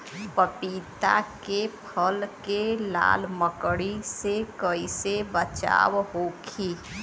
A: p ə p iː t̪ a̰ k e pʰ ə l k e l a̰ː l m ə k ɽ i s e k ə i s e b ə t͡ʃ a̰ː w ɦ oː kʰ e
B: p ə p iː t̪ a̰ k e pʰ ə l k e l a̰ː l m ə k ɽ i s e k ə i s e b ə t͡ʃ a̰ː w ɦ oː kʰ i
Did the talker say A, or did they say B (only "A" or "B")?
B